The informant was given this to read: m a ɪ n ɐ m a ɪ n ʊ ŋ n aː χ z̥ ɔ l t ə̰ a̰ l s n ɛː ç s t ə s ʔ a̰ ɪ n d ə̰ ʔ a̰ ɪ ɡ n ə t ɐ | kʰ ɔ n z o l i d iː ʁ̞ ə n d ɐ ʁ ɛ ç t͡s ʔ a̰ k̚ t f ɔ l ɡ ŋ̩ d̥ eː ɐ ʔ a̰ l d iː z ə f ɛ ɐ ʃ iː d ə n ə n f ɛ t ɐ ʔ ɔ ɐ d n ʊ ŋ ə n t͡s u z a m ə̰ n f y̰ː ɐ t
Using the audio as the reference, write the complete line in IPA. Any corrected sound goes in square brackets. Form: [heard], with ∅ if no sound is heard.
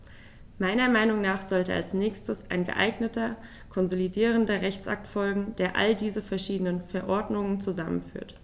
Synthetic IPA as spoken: m a ɪ n ɐ m a ɪ n ʊ ŋ n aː χ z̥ ɔ l t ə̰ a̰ l s n ɛː ç s t ə s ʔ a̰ ɪ n [ɡ] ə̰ ʔ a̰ ɪ ɡ n ə t ɐ | kʰ ɔ n z o l i d iː ʁ̞ ə n d ɐ ʁ ɛ ç t͡s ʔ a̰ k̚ t f ɔ l ɡ ŋ̩ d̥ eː ɐ ʔ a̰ l d iː z ə f ɛ ɐ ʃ iː d ə n ə n f ɛ [∅] ɐ ʔ ɔ ɐ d n ʊ ŋ ə n t͡s u z a m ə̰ n f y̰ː ɐ t